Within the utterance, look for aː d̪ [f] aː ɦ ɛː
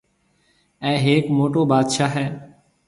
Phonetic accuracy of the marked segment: incorrect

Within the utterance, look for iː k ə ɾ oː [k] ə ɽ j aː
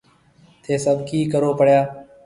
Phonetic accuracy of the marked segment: incorrect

